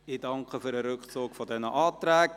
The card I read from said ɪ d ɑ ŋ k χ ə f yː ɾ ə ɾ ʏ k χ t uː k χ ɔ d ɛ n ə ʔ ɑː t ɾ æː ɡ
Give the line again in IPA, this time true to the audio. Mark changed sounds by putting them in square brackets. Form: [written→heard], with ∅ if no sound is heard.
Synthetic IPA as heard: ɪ d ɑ ŋ k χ ə f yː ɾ ə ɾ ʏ k χ [t→t͡s] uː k [χ→f] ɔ d ɛ n ə ʔ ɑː t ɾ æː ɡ